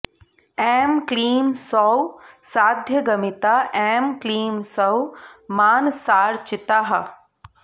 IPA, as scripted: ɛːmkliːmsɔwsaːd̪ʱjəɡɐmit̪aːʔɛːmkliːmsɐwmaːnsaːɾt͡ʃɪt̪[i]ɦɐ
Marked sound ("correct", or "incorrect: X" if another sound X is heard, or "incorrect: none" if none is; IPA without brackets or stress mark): incorrect: a